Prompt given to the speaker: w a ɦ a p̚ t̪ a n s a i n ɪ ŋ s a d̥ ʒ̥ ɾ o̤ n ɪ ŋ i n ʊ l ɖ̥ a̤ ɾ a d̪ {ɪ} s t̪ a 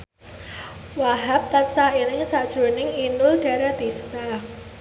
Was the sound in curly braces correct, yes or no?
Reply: no